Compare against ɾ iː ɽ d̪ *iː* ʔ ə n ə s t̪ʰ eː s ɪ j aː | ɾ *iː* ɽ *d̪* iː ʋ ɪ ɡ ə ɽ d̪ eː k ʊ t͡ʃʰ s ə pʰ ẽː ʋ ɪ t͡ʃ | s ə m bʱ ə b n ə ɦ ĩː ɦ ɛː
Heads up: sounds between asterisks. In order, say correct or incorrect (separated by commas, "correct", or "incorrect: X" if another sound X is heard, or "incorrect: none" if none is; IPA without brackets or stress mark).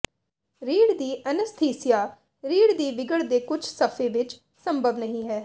correct, correct, correct